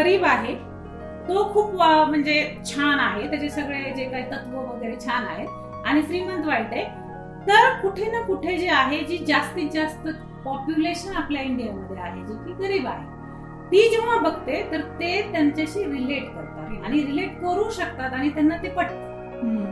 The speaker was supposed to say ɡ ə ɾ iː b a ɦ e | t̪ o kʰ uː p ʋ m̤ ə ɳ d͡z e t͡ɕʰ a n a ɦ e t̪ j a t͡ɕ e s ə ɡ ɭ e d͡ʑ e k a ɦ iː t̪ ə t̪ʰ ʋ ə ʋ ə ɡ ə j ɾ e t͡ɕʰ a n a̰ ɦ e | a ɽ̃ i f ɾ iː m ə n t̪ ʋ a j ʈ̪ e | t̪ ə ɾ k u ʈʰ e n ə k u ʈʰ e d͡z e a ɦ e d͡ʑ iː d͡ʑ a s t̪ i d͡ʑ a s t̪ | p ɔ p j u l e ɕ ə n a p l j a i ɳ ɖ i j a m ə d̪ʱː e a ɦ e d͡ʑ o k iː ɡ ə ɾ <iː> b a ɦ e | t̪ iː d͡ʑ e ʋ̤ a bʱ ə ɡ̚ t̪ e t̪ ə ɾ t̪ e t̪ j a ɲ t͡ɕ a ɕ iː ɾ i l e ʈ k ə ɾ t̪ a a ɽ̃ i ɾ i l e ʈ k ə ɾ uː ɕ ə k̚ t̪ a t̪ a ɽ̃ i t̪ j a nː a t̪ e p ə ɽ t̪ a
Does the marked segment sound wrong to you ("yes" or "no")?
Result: no